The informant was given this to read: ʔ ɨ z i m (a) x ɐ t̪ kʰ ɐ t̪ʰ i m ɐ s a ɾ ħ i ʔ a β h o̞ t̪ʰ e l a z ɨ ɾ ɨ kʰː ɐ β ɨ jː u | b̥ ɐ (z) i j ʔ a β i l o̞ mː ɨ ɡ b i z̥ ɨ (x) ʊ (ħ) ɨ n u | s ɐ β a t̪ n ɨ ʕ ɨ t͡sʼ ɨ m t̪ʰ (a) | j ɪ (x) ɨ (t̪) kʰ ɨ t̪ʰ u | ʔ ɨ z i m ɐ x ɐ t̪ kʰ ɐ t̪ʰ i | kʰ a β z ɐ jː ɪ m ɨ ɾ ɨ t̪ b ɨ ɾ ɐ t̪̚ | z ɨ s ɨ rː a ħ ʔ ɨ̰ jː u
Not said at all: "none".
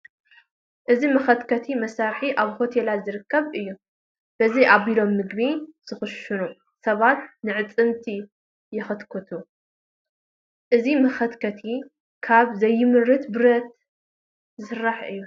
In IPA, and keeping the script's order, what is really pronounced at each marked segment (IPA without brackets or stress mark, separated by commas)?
ɐ, z, x, ʃ, i, x, t̪